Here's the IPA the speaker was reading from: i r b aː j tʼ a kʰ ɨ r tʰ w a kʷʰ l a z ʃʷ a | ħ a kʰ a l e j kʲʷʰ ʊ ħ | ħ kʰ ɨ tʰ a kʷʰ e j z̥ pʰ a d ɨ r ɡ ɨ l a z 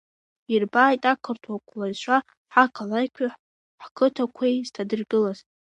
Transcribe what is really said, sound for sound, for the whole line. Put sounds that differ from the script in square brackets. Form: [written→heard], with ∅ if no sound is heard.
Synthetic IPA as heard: i r b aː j tʼ a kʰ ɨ r tʰ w a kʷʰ l a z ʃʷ a | ħ a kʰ a l [e→a] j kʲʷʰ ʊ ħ | ħ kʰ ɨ tʰ a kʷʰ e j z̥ [pʰ→tʰ] a d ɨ r ɡ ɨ l a z